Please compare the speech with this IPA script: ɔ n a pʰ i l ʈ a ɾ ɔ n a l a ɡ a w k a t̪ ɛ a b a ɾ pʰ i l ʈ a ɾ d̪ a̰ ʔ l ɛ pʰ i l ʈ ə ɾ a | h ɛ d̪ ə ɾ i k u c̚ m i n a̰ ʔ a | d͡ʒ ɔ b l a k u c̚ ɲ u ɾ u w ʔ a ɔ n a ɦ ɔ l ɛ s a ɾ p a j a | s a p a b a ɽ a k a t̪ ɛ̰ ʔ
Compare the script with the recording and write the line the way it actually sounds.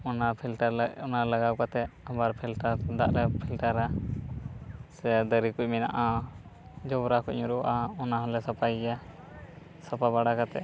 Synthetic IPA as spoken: ɔ n a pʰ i l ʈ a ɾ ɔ n a l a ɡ a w k a t̪ ɛ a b a ɾ pʰ i l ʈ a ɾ d̪ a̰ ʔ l ɛ pʰ i l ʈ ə ɾ a | s ɛ d̪ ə ɾ i k u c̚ m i n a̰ ʔ a | d͡ʒ ɔ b ɾ a k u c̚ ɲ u ɾ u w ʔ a ɔ n a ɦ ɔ l ɛ s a p a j a | s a p a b a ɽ a k a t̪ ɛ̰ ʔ